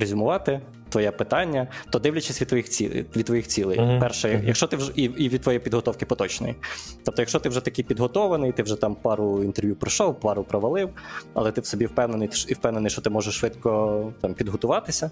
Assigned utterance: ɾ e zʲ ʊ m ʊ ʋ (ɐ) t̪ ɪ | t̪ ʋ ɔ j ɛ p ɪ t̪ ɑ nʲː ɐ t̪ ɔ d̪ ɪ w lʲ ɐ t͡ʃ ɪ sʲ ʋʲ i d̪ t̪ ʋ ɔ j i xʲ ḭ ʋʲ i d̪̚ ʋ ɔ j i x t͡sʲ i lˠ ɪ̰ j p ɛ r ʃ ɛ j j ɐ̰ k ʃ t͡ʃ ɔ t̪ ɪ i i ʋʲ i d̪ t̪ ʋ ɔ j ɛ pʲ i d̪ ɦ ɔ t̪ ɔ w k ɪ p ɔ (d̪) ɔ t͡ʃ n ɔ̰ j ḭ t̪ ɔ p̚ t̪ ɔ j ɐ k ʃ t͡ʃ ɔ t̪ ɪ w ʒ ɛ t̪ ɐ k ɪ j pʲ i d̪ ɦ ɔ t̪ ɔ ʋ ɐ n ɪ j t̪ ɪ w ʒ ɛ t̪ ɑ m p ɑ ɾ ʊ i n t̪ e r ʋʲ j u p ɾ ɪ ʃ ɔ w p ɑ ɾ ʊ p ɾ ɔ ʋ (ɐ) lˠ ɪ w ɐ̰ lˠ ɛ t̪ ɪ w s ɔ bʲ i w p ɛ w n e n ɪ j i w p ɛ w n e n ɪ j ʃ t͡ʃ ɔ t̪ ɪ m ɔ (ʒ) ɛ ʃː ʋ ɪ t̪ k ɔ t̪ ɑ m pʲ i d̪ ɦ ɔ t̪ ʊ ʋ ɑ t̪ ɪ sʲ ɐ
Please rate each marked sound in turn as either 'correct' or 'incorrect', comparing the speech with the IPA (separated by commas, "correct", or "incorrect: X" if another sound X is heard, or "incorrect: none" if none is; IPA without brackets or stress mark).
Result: incorrect: ɑ, incorrect: t̪, correct, correct